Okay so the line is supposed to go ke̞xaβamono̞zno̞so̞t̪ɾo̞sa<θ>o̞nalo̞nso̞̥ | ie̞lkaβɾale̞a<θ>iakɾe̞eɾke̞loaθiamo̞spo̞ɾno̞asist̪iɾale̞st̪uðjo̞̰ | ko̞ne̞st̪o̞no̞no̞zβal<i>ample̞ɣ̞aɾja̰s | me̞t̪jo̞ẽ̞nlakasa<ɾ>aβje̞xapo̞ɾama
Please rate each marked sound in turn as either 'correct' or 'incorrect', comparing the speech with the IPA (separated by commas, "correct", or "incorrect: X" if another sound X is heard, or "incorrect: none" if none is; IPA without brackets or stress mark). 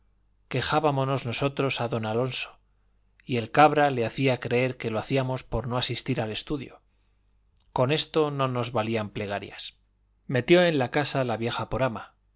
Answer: incorrect: ð, correct, correct, incorrect: l